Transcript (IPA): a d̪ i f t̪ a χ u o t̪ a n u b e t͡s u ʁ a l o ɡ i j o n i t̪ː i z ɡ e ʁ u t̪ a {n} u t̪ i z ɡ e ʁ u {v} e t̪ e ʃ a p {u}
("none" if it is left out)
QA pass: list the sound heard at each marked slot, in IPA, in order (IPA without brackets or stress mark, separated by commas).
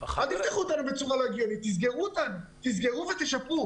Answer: n, v, u